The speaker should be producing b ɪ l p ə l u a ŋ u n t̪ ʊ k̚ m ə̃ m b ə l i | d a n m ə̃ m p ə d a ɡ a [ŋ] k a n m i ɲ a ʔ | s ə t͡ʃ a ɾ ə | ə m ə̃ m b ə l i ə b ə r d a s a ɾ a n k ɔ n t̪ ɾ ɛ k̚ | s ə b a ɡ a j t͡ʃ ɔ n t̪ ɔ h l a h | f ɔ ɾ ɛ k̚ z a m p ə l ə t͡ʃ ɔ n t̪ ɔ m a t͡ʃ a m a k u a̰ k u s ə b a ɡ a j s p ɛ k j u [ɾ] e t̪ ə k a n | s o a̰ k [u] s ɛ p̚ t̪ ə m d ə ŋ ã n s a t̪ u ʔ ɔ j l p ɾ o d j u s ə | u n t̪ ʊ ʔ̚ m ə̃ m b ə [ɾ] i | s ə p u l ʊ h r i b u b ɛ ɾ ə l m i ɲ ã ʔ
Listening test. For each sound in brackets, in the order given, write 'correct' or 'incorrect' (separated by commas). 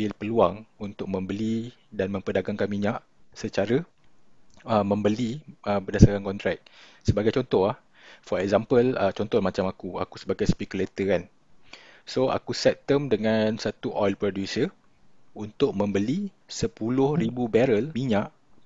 correct, incorrect, correct, incorrect